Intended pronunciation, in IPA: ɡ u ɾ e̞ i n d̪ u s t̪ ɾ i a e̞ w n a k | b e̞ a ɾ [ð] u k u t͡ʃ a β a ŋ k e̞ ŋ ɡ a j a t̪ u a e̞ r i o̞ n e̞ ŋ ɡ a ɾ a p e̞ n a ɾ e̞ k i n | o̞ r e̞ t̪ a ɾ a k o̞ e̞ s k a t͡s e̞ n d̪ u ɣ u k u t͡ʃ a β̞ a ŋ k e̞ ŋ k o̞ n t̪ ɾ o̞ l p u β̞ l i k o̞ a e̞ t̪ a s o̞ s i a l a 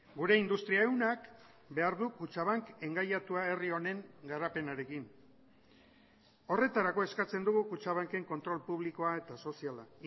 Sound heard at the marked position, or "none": ð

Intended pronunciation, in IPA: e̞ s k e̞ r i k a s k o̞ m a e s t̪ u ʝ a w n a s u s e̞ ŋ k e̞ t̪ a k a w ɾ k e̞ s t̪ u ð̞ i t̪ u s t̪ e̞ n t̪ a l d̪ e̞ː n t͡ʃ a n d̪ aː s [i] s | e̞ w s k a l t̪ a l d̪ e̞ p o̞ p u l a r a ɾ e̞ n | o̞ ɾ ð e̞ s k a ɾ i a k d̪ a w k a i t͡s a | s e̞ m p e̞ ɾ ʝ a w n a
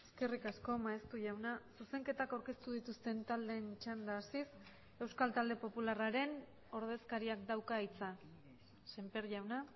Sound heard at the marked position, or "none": i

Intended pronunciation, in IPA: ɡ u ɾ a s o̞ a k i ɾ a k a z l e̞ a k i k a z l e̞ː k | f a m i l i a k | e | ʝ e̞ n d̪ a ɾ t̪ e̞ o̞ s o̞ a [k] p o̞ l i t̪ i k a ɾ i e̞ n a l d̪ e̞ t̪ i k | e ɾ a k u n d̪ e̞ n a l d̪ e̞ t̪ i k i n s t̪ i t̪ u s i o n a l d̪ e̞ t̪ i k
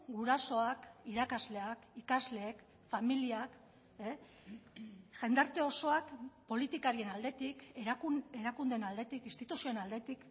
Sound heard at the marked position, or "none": k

